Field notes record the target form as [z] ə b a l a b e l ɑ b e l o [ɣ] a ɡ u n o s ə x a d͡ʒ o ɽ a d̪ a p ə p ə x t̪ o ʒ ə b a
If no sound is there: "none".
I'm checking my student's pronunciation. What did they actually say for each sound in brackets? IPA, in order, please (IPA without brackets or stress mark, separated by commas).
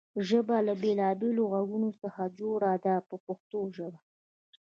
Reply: ʒ, ɣ